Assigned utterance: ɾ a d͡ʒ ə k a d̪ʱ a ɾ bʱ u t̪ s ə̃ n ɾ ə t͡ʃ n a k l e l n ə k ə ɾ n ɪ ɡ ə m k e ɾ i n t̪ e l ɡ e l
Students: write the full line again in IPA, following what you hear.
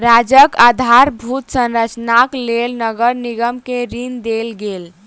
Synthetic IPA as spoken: ɾ a d͡ʒ ə k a d̪ʱ a ɾ bʱ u t̪ s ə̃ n ɾ ə t͡ʃ n a k l e l n ə ɡ ə ɾ n i ɡ ə m k e ɾ i n d̪ e l ɡ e l